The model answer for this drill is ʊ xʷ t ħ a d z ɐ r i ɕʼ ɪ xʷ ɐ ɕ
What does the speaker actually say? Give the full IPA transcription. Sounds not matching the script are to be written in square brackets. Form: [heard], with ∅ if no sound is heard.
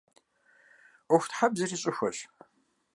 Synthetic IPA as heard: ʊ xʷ t ħ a [b] z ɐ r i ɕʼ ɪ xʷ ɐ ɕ